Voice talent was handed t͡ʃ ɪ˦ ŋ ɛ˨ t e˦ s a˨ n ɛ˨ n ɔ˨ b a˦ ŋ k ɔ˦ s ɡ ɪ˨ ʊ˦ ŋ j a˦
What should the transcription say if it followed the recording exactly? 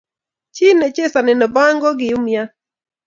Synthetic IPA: t͡ʃ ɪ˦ n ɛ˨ t͡ʃ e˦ s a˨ n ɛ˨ n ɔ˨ b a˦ ŋ ɡ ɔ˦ ɡ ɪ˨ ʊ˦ m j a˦